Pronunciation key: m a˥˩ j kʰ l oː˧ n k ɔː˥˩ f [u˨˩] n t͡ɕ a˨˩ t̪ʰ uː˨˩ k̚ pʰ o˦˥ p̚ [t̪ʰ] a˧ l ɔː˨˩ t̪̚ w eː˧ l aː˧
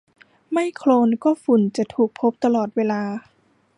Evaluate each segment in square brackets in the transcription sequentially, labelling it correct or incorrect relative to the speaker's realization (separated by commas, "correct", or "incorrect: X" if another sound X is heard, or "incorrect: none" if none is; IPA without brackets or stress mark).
correct, incorrect: t̪